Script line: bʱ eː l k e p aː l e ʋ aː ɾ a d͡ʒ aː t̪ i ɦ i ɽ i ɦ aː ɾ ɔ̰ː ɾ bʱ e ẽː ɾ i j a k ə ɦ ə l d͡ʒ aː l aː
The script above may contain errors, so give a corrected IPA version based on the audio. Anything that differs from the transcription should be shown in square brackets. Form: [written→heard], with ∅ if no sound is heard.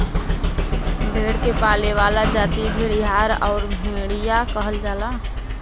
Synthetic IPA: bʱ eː [l→ɽ] k e p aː l e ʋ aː [ɾ→l] a d͡ʒ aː t̪ i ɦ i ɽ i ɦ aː ɾ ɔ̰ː ɾ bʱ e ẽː [ɾ→ɽ] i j a k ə ɦ ə l d͡ʒ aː l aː